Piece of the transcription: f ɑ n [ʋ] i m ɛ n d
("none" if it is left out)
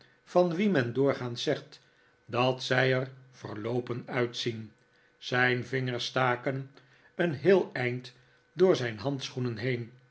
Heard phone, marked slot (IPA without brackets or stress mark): ʋ